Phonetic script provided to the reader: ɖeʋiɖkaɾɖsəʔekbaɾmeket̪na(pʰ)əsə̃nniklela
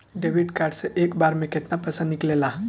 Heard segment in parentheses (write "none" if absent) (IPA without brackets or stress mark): p